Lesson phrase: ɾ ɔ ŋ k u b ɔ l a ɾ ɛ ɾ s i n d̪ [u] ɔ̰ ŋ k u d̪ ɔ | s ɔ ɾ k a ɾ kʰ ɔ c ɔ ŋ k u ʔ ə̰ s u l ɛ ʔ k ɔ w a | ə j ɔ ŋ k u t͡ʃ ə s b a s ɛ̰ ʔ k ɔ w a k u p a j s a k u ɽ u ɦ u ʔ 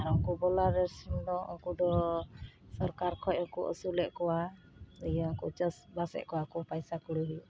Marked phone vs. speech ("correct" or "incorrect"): incorrect